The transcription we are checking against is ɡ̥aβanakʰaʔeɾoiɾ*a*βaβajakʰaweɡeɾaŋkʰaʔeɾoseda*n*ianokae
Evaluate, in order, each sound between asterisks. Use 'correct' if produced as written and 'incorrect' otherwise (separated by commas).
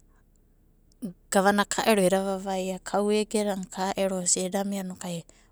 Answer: correct, incorrect